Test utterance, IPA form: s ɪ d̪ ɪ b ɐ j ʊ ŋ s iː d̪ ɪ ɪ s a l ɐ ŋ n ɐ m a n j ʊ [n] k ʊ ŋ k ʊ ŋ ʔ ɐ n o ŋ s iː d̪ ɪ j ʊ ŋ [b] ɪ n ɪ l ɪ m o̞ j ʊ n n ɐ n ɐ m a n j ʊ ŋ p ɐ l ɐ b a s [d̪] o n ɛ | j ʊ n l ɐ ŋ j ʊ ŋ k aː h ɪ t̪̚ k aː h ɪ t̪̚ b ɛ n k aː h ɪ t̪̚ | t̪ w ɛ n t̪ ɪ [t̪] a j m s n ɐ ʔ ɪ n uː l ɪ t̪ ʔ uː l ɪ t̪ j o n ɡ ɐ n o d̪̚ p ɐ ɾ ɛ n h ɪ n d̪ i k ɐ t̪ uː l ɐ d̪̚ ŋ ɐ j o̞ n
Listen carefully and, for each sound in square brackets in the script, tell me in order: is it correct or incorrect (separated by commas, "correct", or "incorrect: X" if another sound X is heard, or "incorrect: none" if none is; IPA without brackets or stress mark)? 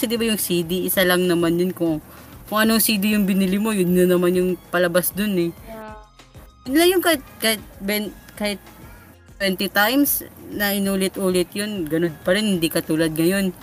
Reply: correct, correct, correct, correct